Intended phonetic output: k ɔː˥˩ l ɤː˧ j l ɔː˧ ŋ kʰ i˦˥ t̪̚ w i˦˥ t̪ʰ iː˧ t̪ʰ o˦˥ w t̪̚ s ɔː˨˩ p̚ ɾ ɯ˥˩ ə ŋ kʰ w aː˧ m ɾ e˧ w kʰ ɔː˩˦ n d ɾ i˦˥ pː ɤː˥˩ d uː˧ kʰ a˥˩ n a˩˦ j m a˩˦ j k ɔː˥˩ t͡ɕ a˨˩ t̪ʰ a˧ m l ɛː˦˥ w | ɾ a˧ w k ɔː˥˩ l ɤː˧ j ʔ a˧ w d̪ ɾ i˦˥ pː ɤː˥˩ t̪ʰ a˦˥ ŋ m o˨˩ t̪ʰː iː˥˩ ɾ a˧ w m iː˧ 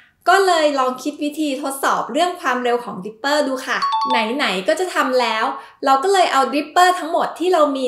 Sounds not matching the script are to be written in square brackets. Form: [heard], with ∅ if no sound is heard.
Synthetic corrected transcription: k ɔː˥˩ l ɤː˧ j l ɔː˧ ŋ kʰ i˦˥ t̪̚ w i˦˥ t̪ʰ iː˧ t̪ʰ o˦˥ [∅] t̪̚ s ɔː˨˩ p̚ ɾ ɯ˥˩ ə ŋ kʰ w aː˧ m ɾ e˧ w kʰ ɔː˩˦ [ŋ] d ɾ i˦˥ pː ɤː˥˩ d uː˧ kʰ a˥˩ n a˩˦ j [n] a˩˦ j k ɔː˥˩ t͡ɕ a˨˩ t̪ʰ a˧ m l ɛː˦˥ w | ɾ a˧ w k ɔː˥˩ l ɤː˧ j ʔ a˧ w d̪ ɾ i˦˥ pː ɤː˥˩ t̪ʰ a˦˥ ŋ m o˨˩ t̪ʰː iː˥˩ ɾ a˧ w m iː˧